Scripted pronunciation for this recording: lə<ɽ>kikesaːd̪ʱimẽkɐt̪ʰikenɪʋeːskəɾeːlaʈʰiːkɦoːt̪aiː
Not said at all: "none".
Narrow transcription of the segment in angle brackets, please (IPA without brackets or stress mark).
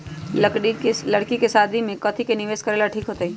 ɽ